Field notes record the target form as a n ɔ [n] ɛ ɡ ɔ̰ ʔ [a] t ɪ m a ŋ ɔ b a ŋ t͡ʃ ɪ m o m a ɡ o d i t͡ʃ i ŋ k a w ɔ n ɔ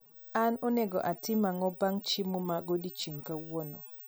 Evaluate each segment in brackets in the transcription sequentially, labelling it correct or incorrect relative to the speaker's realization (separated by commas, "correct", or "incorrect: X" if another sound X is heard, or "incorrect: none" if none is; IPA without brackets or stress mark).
correct, correct